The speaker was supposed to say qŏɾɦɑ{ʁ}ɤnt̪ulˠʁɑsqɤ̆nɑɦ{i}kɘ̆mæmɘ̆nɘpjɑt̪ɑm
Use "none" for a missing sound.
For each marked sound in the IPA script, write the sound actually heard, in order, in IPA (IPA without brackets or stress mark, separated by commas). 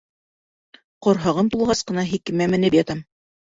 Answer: ʁ, i